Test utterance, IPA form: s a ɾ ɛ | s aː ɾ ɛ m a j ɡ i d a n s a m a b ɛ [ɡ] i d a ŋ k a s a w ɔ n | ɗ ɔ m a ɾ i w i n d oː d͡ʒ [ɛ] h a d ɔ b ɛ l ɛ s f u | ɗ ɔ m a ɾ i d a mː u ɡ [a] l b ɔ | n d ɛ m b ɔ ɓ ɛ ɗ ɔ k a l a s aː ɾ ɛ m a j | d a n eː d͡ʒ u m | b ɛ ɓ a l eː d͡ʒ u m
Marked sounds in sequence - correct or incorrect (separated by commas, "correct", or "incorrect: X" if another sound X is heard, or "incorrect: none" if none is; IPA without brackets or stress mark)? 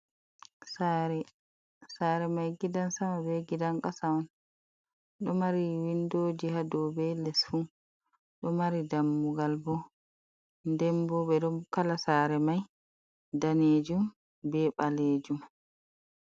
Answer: correct, incorrect: i, correct